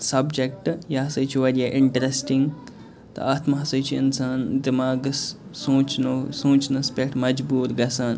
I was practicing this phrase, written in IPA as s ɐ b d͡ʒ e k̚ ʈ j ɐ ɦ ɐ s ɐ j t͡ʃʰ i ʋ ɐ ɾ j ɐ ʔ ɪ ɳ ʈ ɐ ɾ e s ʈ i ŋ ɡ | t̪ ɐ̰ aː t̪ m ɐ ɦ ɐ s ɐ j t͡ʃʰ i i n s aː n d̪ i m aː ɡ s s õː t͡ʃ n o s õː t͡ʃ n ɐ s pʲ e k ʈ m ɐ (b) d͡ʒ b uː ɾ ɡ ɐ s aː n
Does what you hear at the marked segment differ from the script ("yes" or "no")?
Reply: yes